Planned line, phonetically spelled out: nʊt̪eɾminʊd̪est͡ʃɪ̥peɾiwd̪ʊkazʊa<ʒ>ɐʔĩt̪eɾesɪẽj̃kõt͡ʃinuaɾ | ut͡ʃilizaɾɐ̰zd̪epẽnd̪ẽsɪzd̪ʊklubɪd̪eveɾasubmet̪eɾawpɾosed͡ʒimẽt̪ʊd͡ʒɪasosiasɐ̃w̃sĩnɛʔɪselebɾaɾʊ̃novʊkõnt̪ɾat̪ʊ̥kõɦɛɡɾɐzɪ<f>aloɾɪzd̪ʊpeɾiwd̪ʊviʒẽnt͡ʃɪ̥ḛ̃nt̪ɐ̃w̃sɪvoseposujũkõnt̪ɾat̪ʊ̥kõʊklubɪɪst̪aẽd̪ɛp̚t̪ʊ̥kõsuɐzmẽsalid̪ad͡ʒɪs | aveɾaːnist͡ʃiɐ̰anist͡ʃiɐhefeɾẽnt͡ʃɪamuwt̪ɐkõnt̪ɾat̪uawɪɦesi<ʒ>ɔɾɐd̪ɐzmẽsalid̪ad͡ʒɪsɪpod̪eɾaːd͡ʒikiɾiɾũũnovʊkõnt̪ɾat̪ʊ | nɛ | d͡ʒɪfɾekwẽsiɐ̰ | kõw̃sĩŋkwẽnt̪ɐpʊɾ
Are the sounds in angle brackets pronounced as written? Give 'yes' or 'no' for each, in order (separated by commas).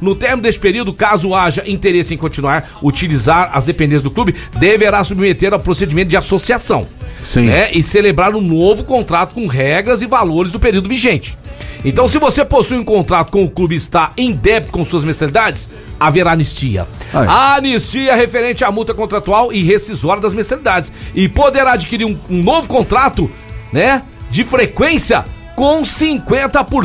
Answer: yes, no, no